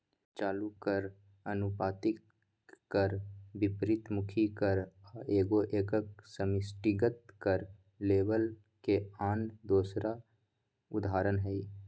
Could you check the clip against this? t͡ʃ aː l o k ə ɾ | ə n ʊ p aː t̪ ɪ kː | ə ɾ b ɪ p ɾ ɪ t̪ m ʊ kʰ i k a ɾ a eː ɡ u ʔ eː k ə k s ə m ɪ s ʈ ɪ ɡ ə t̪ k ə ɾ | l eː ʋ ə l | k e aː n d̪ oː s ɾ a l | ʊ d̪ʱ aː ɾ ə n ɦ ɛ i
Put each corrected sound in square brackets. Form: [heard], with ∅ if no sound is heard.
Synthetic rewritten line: t͡ʃ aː l [u] k ə ɾ | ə n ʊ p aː t̪ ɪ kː | ə ɾ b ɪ p ɾ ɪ t̪ m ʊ kʰ i k [ə] ɾ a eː ɡ [o] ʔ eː k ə k s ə m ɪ s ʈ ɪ ɡ ə t̪ k ə ɾ | l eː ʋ ə l | k e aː n d̪ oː s ɾ a [∅] | ʊ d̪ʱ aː ɾ ə n ɦ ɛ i